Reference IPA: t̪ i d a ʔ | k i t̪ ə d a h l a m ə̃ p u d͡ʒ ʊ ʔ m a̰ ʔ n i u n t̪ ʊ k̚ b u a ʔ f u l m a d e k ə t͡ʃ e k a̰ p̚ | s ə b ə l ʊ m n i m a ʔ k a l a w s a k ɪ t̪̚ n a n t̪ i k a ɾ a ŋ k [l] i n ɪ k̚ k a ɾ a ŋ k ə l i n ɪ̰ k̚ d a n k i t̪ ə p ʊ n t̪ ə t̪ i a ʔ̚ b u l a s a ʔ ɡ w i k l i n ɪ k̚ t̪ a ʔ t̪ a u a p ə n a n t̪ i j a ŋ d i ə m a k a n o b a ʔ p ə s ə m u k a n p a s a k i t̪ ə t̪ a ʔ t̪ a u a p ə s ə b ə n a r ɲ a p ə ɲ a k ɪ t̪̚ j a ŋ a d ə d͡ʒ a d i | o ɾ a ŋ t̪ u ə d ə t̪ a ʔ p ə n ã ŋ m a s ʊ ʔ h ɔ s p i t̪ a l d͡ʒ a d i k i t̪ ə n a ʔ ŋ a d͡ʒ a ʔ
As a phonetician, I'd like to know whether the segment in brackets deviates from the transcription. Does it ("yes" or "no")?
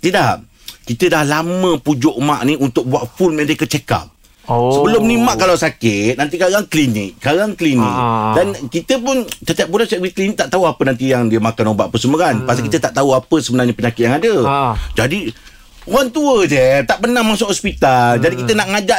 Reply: no